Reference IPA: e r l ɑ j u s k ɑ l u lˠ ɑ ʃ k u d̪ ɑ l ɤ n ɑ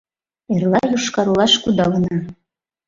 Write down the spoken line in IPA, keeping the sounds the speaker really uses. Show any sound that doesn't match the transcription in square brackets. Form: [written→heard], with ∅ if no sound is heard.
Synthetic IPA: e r l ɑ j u [s→ʃ] k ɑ [l→ɾ] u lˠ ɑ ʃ k u d̪ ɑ l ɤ n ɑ